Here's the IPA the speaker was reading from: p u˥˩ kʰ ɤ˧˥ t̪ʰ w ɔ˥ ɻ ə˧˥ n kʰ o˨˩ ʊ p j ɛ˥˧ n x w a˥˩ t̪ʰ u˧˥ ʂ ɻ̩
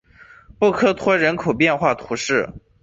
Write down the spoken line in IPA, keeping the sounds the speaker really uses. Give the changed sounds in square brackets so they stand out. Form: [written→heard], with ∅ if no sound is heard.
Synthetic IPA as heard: p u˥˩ kʰ [ɤ˧˥→ɤ˥] t̪ʰ w ɔ˥ ɻ ə˧˥ n kʰ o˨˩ ʊ p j ɛ˥˧ n x w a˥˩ t̪ʰ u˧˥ ʂ ɻ̩